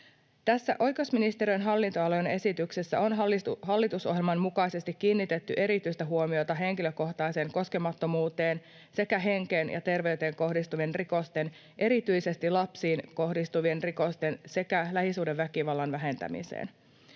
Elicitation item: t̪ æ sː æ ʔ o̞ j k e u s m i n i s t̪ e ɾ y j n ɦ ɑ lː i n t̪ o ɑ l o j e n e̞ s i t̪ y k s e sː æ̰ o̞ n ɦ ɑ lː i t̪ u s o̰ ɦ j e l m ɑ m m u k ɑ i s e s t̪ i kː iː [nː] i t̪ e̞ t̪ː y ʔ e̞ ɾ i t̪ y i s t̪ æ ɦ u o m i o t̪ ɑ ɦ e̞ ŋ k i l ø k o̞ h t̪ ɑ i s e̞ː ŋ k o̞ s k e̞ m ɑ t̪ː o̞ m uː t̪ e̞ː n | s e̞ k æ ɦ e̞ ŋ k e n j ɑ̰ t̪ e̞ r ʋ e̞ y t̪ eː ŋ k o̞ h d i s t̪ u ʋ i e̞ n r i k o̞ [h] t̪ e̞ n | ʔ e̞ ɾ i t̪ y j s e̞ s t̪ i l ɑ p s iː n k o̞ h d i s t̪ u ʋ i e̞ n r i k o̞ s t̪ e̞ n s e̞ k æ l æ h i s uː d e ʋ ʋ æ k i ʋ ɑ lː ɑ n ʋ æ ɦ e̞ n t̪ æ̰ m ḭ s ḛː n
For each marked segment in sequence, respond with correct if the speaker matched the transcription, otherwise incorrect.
correct, incorrect: s

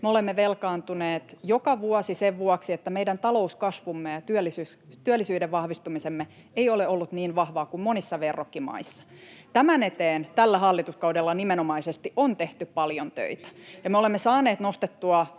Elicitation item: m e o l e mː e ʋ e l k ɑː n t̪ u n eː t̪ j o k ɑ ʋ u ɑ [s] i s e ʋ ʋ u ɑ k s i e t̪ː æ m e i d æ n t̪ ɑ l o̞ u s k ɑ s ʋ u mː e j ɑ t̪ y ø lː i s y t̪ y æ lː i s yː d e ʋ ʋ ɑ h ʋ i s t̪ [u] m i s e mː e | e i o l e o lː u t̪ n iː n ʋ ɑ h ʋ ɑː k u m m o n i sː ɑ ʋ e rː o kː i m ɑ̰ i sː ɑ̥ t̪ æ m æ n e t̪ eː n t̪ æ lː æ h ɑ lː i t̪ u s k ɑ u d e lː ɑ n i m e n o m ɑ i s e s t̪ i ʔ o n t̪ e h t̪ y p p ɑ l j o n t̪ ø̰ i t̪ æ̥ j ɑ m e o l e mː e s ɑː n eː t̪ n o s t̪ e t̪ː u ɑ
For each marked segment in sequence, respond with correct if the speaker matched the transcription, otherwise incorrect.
correct, correct

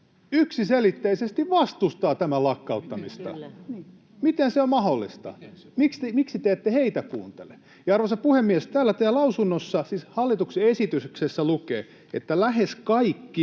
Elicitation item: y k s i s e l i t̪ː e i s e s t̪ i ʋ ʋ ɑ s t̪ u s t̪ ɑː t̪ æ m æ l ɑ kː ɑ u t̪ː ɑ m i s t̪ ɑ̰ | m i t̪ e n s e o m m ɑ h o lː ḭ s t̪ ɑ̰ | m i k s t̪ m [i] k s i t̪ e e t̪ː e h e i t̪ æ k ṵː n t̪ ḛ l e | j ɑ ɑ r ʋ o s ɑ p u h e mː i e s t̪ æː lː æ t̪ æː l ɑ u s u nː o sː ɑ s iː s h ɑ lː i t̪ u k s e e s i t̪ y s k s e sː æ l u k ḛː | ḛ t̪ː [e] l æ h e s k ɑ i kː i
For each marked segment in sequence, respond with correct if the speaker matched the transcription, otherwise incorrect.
correct, incorrect: æ

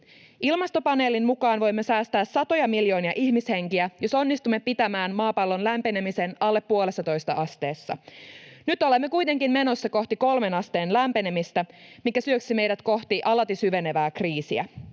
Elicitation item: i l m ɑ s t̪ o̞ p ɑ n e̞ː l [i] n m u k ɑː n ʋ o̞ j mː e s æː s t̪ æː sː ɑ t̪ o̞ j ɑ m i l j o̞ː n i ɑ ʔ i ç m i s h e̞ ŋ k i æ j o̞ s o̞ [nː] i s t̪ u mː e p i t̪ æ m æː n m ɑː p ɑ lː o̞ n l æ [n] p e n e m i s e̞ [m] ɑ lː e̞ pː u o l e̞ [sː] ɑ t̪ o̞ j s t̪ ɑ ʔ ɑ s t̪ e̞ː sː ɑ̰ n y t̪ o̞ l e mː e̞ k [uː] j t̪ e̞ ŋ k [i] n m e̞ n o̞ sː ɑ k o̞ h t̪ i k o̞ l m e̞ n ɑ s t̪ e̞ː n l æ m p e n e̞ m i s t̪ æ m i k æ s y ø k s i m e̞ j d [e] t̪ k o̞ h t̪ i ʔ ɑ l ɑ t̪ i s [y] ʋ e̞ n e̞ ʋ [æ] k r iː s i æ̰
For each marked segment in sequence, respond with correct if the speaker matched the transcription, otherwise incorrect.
correct, correct, incorrect: m, incorrect: n, correct, incorrect: u, correct, incorrect: æ, correct, incorrect: æː

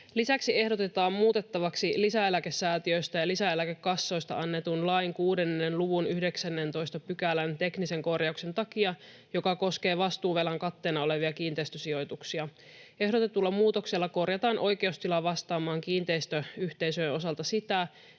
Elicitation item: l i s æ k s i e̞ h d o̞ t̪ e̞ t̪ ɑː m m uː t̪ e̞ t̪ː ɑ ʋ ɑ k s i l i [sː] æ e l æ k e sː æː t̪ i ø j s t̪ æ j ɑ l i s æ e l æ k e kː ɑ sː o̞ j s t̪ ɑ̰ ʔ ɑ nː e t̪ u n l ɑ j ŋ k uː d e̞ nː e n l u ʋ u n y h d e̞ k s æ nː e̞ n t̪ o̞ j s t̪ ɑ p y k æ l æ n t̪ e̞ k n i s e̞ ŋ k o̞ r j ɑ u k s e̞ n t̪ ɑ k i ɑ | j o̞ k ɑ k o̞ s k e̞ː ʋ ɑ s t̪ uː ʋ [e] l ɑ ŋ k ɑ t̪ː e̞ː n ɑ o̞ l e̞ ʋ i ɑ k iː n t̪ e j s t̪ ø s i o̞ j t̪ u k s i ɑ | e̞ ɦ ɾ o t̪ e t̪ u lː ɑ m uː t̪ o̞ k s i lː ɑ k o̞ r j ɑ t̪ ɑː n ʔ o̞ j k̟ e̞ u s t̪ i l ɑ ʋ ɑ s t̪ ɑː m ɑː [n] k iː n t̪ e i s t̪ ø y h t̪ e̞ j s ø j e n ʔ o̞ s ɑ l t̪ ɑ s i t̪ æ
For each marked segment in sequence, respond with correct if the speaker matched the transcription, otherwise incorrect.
incorrect: s, correct, incorrect: ŋ

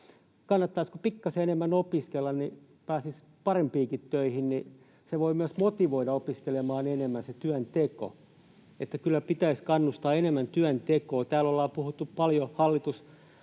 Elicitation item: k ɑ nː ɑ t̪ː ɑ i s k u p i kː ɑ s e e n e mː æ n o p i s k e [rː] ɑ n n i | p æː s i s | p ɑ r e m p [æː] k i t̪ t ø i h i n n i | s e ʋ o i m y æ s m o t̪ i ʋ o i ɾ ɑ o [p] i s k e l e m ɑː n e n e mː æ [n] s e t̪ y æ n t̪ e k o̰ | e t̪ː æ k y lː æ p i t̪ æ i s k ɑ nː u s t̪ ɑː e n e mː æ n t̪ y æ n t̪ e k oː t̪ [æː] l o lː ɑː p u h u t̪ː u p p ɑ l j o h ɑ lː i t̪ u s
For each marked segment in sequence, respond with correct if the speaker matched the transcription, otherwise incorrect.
incorrect: lː, incorrect: iː, correct, correct, correct

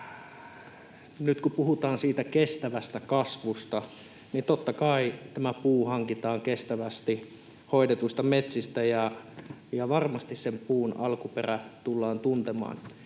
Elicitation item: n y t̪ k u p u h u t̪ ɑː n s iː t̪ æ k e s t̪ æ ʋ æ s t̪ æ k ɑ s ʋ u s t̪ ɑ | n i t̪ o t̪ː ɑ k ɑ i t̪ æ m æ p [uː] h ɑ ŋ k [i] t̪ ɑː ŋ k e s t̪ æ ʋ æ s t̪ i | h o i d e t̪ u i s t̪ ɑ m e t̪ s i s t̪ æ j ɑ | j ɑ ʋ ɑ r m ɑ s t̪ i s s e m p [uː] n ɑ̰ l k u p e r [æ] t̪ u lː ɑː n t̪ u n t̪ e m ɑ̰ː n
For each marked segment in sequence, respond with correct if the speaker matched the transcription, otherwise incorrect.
correct, correct, correct, correct

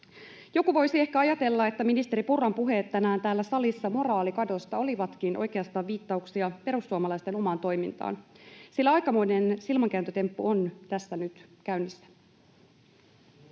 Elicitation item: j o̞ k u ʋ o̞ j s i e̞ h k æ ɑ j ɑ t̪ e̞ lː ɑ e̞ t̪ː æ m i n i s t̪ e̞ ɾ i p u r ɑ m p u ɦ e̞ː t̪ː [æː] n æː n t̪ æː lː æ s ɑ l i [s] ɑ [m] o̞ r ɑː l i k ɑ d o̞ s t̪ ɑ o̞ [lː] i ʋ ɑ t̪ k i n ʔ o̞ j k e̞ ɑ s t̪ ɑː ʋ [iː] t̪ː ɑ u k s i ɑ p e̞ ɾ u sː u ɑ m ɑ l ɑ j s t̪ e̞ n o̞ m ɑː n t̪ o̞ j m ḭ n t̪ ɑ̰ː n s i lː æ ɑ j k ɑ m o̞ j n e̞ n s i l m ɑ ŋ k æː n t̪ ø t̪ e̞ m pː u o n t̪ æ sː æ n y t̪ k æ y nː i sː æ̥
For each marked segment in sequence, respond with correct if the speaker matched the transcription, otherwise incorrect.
incorrect: æ, incorrect: sː, correct, incorrect: l, correct

